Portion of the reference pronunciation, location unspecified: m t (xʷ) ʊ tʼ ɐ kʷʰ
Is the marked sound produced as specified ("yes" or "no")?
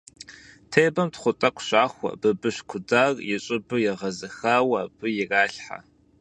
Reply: no